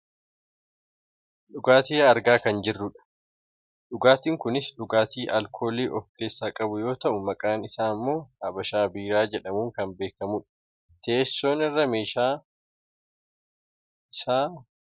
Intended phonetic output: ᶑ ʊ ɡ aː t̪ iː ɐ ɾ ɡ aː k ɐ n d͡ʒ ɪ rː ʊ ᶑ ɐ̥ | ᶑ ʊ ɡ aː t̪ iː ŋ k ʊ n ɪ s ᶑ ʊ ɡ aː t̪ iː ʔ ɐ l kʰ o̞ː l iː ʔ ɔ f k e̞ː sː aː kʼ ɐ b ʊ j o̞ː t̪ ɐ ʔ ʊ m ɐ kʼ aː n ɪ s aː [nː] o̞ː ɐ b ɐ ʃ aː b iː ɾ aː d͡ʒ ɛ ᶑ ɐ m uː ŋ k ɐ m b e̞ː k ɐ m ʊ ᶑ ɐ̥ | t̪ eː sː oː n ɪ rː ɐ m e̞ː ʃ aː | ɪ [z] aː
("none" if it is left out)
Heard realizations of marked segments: mː, s

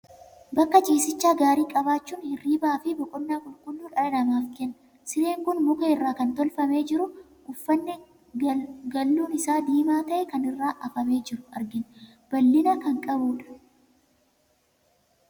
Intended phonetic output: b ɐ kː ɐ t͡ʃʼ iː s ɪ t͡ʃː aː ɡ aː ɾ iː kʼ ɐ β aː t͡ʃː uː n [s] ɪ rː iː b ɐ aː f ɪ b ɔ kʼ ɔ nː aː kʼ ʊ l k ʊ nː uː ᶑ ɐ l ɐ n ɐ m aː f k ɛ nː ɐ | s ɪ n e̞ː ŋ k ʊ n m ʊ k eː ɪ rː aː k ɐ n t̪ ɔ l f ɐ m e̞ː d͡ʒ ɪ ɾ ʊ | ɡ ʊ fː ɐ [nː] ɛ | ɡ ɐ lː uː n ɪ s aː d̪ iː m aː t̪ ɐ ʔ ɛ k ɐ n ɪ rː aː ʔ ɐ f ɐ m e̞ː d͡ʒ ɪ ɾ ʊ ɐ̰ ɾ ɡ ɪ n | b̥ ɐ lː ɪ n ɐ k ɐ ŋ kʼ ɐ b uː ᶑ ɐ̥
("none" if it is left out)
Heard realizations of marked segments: h, nː

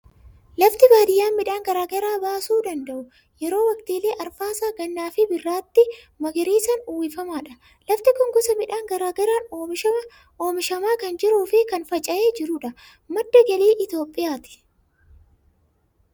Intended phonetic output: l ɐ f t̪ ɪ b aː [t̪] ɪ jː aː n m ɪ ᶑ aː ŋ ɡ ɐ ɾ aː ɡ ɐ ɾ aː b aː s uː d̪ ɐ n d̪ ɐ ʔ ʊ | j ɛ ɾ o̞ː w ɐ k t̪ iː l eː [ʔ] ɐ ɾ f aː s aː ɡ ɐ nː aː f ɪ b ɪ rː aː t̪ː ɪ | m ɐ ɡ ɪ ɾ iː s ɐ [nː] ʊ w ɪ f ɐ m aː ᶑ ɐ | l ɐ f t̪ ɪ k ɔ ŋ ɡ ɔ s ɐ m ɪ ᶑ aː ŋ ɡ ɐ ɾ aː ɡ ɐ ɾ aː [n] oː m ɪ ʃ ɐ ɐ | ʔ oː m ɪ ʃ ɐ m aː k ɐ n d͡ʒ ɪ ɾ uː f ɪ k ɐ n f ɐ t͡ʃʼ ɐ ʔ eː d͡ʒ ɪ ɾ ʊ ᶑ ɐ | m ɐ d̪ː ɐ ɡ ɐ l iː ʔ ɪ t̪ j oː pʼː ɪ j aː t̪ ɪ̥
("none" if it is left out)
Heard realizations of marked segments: d̪, ʔ, n, n

